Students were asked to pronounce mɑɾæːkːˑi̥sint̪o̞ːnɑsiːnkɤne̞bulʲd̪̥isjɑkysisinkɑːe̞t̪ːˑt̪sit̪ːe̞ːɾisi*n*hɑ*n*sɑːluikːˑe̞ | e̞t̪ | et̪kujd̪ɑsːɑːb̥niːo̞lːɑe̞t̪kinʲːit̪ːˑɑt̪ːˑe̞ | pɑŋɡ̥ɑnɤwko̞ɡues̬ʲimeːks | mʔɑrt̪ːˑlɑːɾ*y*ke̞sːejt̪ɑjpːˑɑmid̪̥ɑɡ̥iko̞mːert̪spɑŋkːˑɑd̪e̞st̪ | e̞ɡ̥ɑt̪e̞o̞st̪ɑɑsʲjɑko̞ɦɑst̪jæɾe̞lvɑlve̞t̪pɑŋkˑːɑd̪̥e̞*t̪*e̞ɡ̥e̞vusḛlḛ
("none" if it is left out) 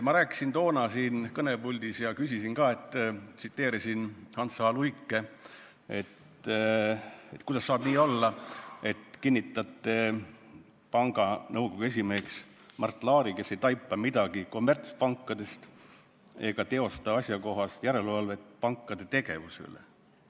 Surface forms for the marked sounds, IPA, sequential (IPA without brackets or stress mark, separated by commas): n, n, i, t̪